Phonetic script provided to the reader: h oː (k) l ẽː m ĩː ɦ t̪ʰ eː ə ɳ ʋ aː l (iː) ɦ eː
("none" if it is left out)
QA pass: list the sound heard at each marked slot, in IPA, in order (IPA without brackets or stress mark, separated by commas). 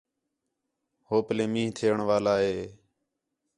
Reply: p, aː